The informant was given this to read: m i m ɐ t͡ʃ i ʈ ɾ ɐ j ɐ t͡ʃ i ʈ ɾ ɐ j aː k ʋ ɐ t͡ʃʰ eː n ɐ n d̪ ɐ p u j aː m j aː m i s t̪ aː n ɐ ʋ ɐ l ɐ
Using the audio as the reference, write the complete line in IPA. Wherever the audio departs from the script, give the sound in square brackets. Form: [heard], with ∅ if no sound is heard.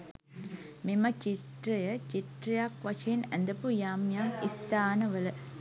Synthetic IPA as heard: m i m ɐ t͡ʃ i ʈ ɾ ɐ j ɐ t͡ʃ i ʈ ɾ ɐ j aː k ʋ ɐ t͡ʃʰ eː n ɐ n d̪ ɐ p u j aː m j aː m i s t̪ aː n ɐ ʋ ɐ l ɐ